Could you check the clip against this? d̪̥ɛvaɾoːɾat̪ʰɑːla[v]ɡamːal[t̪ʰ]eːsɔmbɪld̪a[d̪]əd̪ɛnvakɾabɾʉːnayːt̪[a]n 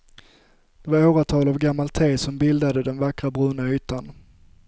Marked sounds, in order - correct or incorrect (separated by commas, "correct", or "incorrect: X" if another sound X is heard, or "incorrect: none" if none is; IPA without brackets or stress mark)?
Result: correct, correct, correct, correct